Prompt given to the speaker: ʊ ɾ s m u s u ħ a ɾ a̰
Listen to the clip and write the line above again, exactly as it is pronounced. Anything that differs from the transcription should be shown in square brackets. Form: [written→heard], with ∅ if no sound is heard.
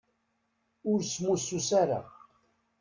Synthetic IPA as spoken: ʊ ɾ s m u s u [ħ→s] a ɾ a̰